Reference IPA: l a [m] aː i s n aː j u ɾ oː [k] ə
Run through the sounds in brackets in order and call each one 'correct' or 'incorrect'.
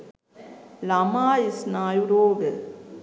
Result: correct, incorrect: ɡ

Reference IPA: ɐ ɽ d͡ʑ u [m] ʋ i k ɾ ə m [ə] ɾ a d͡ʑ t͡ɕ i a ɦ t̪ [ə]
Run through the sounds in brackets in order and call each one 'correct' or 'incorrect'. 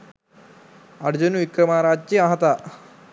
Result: incorrect: n, incorrect: a, incorrect: a

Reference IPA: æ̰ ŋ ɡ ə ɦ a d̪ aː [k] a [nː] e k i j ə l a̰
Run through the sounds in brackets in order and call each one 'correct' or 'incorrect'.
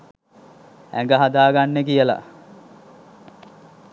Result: incorrect: ɡ, correct

